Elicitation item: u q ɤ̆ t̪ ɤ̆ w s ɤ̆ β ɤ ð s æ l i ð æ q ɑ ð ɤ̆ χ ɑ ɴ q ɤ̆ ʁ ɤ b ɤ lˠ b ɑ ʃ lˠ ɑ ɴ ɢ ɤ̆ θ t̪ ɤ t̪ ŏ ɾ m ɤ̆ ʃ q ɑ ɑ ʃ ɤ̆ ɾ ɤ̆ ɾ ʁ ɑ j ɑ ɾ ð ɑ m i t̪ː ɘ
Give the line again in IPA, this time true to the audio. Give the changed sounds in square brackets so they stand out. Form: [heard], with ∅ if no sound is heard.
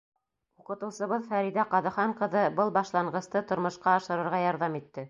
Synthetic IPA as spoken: u q ɤ̆ t̪ ɤ̆ w s ɤ̆ β ɤ ð [f] æ [ɾ] i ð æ q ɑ ð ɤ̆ χ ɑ ɴ q ɤ̆ [ð] ɤ b ɤ lˠ b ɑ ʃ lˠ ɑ ɴ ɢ ɤ̆ [s] t̪ ɤ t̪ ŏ ɾ m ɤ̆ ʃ q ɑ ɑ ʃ ɤ̆ ɾ ɤ̆ ɾ ʁ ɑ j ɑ ɾ ð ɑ m i t̪ː ɘ